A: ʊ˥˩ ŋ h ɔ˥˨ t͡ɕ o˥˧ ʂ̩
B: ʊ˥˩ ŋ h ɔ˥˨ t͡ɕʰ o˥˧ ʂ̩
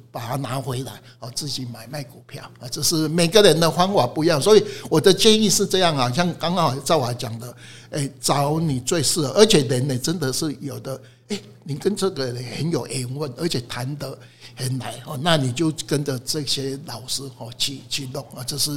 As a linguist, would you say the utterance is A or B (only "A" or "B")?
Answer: A